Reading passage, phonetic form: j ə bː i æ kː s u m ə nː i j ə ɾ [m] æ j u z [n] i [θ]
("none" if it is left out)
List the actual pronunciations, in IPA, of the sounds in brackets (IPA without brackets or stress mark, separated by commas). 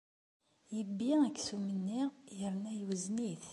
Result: n, n, θ